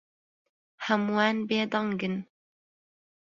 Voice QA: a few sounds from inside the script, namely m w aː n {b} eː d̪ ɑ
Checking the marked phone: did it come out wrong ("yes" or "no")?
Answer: no